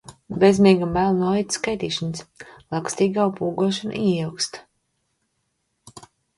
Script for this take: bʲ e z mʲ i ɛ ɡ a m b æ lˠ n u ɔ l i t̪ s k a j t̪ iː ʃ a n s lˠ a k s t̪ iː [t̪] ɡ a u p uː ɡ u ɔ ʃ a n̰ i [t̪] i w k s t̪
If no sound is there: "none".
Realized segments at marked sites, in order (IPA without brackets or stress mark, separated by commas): none, none